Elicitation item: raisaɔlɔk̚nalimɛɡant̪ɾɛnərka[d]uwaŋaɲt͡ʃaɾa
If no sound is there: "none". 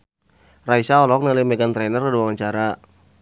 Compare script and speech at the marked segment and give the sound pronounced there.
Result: d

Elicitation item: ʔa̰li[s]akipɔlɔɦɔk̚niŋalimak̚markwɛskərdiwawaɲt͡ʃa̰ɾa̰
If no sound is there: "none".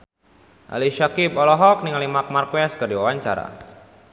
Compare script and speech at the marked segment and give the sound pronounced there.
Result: ʃ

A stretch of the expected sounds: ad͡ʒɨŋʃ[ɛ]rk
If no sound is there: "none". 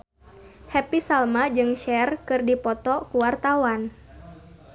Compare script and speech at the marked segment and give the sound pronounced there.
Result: ɛ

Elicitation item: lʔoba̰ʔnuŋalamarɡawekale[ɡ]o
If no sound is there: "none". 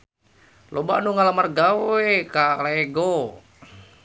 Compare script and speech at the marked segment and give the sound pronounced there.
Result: ɡ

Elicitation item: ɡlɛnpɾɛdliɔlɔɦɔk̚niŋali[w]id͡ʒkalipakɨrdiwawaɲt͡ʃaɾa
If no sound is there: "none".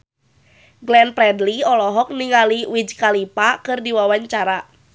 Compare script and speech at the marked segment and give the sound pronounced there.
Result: w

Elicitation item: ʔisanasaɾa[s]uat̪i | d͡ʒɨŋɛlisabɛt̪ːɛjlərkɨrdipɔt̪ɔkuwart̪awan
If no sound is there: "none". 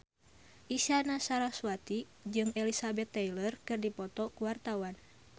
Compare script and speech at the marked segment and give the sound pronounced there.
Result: s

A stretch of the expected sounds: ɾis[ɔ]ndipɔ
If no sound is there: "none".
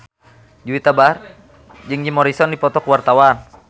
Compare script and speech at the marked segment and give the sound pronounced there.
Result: ɔ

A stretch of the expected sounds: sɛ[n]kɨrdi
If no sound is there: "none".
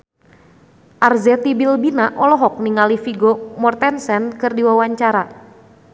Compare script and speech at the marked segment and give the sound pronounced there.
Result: n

